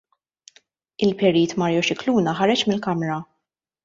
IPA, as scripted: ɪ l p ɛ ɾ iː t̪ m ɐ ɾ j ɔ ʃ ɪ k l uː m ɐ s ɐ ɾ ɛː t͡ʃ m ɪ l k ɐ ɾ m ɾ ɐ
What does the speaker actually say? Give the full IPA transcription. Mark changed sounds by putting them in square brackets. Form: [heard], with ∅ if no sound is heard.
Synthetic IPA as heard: ɪ l p ɛ ɾ iː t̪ m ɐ ɾ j ɔ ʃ ɪ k l uː [n] ɐ [ħ] ɐ ɾ [ɛ] t͡ʃ m ɪ l k ɐ [∅] m ɾ ɐ